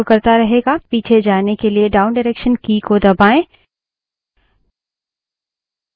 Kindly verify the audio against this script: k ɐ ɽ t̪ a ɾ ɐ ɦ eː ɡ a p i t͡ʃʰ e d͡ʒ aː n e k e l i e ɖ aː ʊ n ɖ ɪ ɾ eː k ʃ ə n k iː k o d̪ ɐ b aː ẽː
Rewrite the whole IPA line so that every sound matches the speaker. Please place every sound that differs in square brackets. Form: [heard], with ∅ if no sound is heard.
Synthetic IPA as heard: k ɐ [ɾ] t̪ a ɾ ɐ ɦ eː ɡ a p [iː] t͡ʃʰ e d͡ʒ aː n e k e l i e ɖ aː ʊ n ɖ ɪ ɾ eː k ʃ ə n k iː k o d̪ ɐ b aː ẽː